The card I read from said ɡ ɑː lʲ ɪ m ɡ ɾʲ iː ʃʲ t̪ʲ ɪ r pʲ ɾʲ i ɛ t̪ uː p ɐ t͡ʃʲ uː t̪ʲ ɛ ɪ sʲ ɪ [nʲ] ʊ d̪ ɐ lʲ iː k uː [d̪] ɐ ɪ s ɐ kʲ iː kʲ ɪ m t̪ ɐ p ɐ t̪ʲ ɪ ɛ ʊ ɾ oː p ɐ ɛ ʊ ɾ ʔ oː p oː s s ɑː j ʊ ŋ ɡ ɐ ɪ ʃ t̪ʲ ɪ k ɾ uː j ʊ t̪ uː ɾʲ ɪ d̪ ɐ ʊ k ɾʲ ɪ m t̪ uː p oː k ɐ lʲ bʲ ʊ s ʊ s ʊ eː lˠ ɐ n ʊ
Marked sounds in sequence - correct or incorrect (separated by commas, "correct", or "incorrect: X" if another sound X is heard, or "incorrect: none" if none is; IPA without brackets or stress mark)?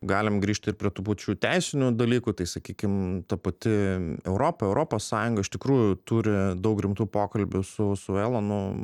correct, incorrect: t̪